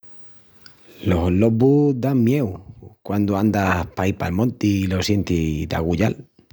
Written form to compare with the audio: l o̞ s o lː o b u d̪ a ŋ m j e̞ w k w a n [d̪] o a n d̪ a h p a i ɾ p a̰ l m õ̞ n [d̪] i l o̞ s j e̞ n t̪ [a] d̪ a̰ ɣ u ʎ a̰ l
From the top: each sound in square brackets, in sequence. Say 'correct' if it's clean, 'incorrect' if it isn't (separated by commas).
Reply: correct, incorrect, incorrect